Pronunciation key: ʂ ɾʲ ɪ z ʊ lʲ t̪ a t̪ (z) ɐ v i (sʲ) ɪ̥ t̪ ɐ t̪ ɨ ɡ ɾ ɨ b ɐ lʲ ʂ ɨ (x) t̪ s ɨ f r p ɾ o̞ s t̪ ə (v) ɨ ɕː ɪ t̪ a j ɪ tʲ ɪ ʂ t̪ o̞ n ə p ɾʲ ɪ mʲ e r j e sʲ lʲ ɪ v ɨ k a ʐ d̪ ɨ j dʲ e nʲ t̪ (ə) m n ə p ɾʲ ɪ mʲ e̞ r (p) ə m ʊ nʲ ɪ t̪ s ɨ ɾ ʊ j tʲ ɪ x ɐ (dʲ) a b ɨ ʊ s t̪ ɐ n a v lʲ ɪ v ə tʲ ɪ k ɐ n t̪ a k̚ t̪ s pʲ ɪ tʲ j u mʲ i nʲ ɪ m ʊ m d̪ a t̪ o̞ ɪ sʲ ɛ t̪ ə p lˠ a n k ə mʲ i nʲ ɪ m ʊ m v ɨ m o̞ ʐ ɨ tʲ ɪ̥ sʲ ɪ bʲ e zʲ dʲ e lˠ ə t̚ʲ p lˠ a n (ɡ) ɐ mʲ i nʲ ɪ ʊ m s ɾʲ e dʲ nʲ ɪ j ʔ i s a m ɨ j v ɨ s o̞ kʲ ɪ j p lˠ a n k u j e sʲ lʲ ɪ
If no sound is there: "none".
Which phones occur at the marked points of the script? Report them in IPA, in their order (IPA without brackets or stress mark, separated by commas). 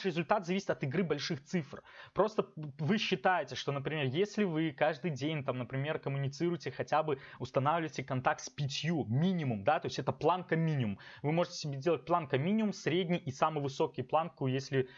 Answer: z, sʲ, x, v, a, k, tʲ, k